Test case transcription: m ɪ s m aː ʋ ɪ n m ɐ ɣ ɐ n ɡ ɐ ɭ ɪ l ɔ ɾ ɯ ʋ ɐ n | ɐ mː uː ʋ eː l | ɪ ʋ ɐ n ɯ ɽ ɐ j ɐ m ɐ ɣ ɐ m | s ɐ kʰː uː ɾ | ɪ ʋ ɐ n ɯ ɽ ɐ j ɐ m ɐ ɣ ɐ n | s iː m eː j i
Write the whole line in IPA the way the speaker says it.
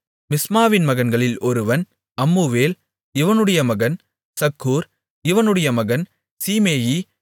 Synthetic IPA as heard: m ɪ s m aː ʋ ɪ n m ɐ ɣ ɐ n ɡ ɐ ɭ ɪ l ɔ ɾ ɯ ʋ ɐ n | ɐ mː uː ʋ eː l | ɪ ʋ ɐ n ɯ ɽ ɐ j ɐ m ɐ ɣ ɐ n | s ɐ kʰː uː ɾ | ɪ ʋ ɐ n ɯ ɽ ɐ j ɐ m ɐ ɣ ɐ n | s iː m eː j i